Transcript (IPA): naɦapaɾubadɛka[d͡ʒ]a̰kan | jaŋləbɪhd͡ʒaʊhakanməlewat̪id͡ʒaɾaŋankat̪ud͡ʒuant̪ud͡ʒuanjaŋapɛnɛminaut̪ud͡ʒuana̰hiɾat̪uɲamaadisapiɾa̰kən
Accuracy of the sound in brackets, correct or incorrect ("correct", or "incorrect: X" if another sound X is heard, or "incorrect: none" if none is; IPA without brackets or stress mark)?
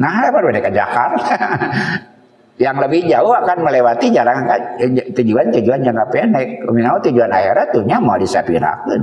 correct